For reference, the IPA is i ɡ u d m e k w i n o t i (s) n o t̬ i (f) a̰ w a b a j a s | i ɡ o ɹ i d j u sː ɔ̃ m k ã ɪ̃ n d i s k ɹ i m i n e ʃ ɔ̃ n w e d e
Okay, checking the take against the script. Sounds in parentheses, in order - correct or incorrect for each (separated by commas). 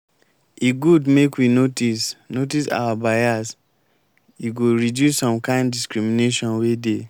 correct, incorrect